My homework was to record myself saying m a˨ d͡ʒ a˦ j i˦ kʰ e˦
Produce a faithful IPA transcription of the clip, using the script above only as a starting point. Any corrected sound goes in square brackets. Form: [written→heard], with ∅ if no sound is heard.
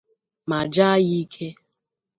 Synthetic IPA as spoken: m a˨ d͡ʒ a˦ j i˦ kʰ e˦